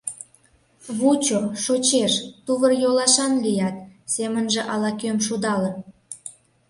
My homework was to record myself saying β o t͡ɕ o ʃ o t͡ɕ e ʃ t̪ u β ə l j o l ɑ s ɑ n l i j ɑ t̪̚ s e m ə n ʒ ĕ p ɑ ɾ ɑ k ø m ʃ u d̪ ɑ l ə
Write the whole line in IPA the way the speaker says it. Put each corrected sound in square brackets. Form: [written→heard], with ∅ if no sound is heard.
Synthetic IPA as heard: β [o→u] t͡ɕ o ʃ o t͡ɕ e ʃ t̪ u β ə [l→r] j o l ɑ [s→ʃ] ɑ n l i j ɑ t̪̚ s e m ə n ʒ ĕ [p→ʔ] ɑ [ɾ→l] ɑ k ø m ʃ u d̪ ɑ l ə